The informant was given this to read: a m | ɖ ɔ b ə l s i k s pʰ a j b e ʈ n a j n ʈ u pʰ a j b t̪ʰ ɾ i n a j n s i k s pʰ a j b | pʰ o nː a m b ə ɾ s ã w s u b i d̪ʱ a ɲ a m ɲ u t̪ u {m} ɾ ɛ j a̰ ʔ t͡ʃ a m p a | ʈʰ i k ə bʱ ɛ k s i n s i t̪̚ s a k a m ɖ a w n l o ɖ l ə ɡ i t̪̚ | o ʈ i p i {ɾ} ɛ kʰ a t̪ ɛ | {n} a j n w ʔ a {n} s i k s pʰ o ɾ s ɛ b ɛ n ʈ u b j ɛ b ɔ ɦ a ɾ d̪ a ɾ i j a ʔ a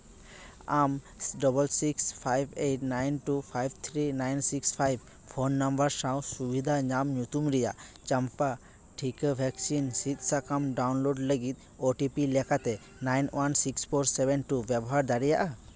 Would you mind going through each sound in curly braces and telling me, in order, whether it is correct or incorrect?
correct, incorrect: l, correct, correct

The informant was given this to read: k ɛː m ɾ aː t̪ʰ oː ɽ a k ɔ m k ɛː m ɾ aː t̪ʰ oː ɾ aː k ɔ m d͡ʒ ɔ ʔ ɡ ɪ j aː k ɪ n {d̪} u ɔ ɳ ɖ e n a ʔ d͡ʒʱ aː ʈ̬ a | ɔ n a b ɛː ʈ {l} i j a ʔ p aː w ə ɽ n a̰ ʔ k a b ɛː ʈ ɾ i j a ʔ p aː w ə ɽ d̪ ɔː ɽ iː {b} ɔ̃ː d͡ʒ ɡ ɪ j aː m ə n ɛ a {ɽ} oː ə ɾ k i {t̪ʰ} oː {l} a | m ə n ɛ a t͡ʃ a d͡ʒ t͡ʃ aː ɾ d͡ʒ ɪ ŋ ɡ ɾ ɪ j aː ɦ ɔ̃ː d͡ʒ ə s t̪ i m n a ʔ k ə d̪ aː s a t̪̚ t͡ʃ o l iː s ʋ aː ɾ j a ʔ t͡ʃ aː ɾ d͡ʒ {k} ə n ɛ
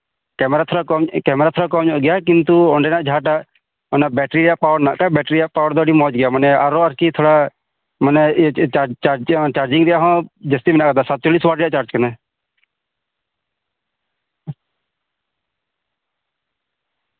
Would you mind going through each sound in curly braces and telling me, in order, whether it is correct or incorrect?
incorrect: t̪, incorrect: ɾ, incorrect: m, incorrect: ɾ, correct, incorrect: ɽ, correct

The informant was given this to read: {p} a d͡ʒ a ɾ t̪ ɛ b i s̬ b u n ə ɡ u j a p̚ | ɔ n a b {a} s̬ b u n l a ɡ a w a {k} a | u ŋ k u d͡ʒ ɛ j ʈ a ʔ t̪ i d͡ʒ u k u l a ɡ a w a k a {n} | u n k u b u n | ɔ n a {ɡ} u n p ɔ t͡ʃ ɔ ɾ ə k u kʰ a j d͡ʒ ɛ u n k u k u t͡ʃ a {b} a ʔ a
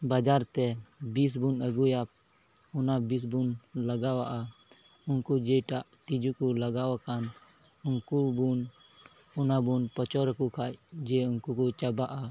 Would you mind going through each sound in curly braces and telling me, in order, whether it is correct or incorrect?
incorrect: b, incorrect: i, incorrect: ʔ, correct, incorrect: b, correct

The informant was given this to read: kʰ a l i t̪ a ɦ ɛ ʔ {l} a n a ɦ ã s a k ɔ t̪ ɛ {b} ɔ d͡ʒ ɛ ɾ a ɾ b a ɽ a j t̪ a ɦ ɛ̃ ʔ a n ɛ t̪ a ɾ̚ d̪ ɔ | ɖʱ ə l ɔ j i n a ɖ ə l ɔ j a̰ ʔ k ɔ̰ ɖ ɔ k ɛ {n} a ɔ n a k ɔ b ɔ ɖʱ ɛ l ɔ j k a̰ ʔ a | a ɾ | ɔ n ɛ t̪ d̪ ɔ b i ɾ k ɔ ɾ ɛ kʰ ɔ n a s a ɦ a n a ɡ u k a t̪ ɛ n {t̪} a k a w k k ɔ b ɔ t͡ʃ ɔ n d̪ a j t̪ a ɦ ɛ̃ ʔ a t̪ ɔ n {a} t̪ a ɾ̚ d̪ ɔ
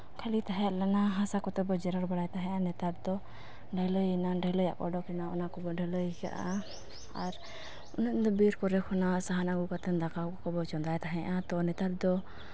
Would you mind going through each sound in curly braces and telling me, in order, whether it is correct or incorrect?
correct, correct, correct, incorrect: d̪, incorrect: ɛ

